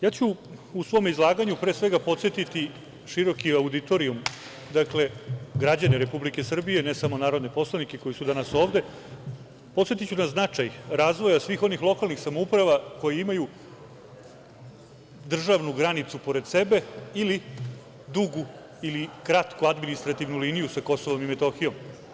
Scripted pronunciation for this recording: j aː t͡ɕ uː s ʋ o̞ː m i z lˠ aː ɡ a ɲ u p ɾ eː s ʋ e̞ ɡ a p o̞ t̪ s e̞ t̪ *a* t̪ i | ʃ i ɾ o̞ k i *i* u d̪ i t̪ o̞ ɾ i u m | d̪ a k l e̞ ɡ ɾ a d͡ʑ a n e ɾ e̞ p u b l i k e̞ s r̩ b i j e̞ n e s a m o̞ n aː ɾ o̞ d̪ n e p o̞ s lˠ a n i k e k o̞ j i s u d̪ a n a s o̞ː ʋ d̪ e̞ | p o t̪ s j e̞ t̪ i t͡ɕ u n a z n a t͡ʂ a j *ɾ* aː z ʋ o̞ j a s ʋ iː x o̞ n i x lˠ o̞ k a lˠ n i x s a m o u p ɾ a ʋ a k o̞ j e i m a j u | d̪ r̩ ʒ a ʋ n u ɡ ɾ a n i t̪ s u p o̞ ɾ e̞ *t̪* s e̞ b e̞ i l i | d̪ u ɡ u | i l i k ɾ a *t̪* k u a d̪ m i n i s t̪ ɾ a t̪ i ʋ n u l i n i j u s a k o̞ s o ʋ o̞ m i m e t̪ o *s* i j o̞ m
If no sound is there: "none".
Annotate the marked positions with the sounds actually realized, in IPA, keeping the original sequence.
i, a, ɾ, d̪, t̪, x

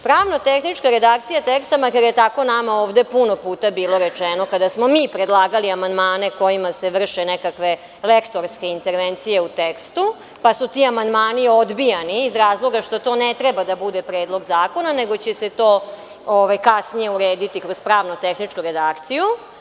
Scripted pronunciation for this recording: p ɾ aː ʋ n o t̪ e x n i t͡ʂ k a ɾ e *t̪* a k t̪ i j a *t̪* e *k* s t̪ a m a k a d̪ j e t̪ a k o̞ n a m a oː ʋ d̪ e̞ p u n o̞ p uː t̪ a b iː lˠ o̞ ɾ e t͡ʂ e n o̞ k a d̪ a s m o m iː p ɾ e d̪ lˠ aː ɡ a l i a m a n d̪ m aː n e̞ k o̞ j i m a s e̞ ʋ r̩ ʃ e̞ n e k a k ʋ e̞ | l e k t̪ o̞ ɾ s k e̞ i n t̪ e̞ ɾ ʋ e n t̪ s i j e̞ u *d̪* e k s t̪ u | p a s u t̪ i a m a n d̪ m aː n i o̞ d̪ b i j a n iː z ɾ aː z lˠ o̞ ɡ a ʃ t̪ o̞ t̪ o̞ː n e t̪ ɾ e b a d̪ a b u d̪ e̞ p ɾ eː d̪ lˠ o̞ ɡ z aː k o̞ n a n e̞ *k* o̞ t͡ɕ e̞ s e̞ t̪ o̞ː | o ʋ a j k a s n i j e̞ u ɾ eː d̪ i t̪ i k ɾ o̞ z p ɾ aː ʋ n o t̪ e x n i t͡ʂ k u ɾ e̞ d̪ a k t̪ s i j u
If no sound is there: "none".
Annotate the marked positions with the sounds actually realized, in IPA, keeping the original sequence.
d̪, t̪, k, t̪, ɡ

